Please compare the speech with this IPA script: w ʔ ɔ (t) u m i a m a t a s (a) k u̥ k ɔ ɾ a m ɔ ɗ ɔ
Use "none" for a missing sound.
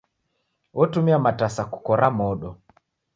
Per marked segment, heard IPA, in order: t, a

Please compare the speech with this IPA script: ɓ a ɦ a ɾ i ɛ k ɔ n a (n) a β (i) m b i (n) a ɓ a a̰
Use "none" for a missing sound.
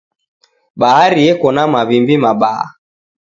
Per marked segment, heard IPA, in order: m, i, m

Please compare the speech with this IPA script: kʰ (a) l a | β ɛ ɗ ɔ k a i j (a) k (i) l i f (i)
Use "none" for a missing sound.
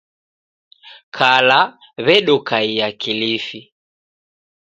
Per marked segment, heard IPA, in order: a, a, i, i

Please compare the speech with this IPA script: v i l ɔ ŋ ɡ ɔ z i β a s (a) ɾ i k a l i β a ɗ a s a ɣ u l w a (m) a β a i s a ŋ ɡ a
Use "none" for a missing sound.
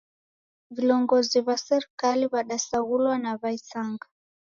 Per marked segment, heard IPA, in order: ɛ, n

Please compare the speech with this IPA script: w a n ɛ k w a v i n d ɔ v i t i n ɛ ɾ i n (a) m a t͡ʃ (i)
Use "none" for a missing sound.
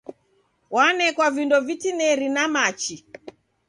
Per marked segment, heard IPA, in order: a, i

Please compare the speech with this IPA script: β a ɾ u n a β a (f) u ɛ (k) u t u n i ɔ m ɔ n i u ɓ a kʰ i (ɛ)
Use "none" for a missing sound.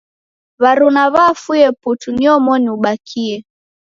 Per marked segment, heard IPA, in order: f, p, ɛ

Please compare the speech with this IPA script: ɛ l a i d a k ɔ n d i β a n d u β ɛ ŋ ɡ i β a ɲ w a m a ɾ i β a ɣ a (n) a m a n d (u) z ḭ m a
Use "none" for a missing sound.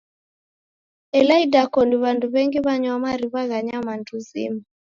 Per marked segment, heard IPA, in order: ɲ, u

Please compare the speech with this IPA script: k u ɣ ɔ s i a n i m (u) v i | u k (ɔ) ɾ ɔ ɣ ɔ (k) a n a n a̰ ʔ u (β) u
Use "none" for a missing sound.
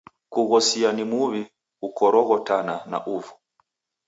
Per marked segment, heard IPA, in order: u, ɔ, t, v

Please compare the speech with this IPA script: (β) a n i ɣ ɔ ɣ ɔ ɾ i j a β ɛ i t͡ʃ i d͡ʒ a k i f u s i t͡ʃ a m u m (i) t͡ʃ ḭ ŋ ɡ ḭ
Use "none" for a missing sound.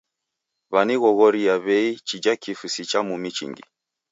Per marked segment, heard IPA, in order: β, i

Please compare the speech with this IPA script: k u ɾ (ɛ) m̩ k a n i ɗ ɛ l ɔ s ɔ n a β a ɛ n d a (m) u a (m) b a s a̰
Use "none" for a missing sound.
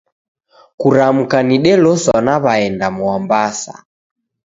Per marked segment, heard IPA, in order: a, m, m

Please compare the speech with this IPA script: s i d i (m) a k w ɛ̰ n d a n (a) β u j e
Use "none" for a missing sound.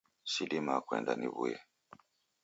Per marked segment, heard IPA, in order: m, i

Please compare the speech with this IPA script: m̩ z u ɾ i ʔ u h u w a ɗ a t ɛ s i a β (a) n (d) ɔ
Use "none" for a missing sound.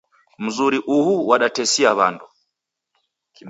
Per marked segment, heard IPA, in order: a, d

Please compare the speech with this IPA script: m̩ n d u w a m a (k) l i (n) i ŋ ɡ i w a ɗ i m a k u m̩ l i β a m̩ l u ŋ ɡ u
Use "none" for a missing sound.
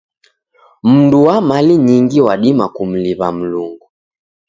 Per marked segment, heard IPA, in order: none, ɲ

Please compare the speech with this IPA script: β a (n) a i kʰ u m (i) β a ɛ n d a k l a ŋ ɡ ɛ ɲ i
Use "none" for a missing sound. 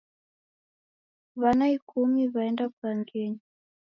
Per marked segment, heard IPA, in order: n, i

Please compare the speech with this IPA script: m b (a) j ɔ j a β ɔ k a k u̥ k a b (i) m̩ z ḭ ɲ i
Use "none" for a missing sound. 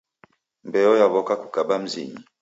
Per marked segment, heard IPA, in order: ɛ, a

